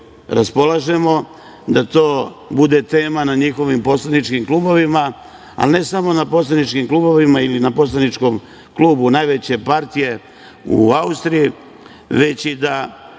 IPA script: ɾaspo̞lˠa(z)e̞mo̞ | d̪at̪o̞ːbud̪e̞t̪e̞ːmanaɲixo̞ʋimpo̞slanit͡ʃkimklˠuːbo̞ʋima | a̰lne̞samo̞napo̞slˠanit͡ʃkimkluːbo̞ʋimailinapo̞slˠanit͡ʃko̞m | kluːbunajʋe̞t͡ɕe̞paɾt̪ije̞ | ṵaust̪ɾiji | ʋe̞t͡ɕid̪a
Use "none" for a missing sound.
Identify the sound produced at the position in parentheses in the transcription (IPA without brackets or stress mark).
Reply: ʒ